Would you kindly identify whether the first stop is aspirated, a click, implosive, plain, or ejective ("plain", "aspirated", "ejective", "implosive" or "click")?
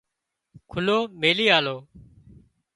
aspirated